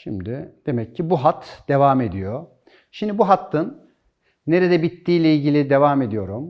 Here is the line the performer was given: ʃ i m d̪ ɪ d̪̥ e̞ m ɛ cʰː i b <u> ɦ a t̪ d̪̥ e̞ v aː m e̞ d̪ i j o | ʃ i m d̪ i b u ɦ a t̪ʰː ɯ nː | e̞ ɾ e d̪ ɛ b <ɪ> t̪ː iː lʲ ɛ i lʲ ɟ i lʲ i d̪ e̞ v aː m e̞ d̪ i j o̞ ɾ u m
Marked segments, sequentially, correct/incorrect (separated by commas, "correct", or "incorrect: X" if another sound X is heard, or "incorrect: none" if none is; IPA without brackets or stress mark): correct, incorrect: i